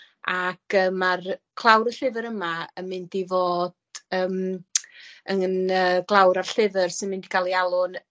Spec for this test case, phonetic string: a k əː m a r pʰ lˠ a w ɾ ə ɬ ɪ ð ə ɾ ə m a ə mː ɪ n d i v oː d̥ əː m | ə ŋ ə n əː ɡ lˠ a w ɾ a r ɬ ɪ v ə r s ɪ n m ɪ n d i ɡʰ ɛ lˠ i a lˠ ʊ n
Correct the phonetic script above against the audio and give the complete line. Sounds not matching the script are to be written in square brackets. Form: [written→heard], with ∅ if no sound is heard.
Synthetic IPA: a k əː m a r [pʰ→kʰ] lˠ a w ɾ ə ɬ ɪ [ð→v] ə ɾ ə m a ə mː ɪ n d i v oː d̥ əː m | ə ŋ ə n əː ɡ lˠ a w ɾ a r ɬ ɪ v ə r s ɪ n m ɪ n d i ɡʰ [ɛ→a] lˠ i a lˠ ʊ n